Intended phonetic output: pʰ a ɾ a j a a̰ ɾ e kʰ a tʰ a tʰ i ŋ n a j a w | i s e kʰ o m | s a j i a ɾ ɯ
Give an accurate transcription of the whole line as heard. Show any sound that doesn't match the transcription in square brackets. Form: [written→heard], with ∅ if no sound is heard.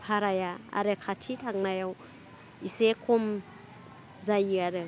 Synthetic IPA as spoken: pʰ a ɾ a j a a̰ ɾ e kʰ a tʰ [a→i] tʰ [i→a] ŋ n a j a w | i s e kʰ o m | [s→z] a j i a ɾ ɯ